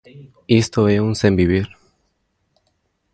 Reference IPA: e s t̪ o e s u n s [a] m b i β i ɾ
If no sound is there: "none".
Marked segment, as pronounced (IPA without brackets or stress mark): e